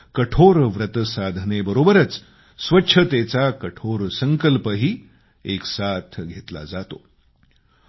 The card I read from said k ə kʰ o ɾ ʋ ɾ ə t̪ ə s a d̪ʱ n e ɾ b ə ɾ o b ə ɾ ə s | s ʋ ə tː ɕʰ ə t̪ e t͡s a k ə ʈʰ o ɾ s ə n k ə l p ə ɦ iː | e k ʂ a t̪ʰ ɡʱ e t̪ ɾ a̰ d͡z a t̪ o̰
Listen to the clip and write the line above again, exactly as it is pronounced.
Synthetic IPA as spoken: k ə ʈʰ o ɾ ʋ ɾ ə t̪ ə s a d̪ʱ n e b ə ɾ o b ə ɾ ə t͡s | s ʋ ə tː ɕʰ ə t̪ e t͡s a k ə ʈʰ o ɾ s ə ŋ k ə l p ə ɦ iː | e k s a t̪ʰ ɡʱ e t̪ l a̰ d͡z a t̪ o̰